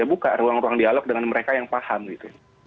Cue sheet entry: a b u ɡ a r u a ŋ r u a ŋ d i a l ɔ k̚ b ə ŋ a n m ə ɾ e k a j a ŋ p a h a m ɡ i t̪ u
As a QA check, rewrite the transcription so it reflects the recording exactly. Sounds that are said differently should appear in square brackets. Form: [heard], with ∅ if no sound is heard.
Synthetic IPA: a b u [k] a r u a ŋ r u a ŋ d i a l ɔ k̚ [d] ə ŋ a n m ə ɾ e k a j a ŋ p a h a m ɡ i t̪ u